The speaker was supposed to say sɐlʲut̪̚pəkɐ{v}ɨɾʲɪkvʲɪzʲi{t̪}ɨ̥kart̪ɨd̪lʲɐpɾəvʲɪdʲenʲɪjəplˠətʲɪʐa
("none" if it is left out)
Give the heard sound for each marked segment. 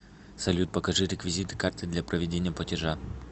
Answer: ʐ, t̪

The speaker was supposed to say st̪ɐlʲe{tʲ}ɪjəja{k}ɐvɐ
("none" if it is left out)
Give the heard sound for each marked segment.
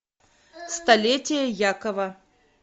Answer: tʲ, k

